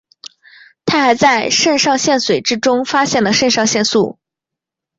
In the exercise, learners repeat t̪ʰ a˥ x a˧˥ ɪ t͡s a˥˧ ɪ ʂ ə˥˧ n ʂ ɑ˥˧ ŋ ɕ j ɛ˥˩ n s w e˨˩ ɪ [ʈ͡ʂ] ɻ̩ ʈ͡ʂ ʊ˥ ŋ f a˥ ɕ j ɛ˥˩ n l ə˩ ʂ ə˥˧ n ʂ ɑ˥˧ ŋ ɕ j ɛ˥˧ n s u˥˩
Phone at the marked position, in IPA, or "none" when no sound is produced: ʈ͡ʂ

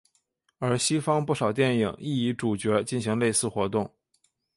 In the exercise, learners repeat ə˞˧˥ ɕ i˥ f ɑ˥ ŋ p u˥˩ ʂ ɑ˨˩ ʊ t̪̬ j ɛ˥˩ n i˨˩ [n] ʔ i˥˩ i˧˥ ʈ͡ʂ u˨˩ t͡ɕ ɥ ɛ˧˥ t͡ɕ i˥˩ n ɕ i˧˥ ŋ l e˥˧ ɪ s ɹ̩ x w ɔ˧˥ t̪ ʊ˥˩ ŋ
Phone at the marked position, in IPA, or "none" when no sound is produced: ŋ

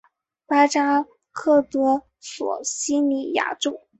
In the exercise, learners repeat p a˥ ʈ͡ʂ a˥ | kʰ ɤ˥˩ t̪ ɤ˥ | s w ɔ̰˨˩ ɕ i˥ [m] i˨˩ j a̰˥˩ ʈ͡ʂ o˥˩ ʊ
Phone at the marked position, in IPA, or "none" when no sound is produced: n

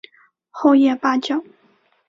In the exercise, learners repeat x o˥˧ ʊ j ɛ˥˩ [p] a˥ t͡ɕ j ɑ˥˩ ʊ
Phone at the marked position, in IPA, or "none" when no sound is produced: p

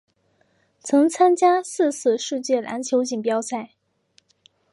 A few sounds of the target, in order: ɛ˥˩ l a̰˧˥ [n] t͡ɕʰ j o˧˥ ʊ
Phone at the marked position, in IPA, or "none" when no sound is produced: n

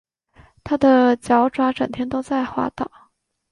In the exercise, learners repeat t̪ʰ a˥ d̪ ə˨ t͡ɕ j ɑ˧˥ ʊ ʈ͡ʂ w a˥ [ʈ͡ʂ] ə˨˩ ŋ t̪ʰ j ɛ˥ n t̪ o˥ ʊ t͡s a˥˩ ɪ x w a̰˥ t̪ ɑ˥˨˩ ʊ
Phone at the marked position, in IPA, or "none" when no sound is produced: ʈ͡ʂ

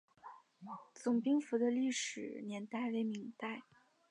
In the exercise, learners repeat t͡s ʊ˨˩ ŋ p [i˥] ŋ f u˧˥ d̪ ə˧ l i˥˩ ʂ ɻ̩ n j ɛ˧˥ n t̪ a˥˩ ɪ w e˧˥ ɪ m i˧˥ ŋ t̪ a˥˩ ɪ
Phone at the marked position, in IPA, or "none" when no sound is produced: i˥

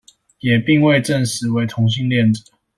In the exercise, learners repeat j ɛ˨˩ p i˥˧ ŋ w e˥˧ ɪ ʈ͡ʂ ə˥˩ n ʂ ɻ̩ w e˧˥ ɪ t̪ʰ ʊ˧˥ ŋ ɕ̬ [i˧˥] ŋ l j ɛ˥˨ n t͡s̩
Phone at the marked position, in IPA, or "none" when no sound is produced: i˥˧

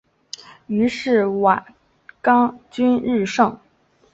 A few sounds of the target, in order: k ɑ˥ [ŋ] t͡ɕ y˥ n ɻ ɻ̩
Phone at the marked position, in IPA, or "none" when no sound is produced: ŋ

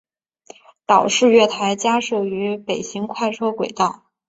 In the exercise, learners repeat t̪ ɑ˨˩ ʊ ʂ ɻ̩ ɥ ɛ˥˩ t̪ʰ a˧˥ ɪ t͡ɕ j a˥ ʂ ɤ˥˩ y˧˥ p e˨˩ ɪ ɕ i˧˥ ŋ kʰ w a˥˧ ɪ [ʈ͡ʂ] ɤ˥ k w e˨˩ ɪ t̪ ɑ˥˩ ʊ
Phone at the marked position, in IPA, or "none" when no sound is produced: ʈ͡ʂʰ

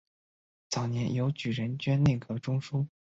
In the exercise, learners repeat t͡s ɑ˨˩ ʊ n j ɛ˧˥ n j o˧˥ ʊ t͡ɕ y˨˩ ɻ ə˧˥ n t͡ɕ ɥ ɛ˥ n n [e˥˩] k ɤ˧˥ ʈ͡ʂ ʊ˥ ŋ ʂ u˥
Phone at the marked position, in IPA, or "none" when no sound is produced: e˥˩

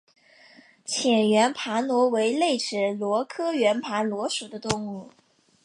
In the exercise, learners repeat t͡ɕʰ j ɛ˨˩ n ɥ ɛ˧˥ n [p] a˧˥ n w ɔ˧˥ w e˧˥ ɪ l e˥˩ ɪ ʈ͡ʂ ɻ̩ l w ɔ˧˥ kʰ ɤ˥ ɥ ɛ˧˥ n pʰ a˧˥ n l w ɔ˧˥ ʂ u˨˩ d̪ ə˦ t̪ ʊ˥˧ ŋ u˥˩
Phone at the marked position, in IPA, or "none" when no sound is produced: pʰ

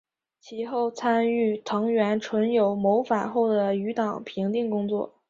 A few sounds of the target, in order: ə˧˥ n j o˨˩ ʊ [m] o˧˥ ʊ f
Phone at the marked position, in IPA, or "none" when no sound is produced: m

